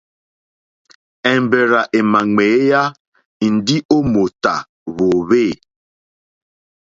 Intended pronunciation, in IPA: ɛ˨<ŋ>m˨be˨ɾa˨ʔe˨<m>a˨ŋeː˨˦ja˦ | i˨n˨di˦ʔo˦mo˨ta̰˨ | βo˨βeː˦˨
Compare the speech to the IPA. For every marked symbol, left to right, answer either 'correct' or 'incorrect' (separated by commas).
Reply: incorrect, correct